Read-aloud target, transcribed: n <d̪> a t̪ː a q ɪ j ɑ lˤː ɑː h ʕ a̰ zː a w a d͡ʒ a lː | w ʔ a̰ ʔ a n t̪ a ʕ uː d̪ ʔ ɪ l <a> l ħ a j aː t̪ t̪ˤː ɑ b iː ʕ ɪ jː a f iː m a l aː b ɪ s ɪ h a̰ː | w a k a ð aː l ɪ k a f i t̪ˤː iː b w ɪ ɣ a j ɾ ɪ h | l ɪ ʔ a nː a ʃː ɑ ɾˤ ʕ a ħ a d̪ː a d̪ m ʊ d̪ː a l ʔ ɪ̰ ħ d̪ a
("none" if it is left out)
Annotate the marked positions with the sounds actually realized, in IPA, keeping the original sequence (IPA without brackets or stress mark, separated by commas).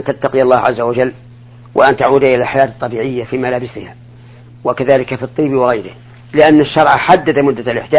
t̪, a